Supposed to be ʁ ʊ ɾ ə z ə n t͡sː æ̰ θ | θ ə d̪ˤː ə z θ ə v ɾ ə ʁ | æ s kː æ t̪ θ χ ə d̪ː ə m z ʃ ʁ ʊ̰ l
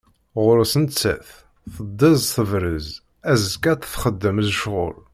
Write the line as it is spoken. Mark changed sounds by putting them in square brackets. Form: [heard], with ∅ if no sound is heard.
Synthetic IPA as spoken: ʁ ʊ ɾ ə [s] ə n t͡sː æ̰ θ | θ ə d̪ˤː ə z θ ə v ɾ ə [z] | æ [z] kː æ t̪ θ χ ə d̪ː ə m z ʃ ʁ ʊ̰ l